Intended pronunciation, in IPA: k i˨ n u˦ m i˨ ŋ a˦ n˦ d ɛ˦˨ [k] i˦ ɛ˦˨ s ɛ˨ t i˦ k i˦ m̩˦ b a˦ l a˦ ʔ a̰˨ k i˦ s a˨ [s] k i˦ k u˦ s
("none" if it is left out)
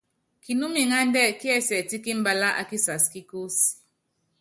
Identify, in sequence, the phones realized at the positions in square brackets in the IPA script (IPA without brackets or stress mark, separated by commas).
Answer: k, s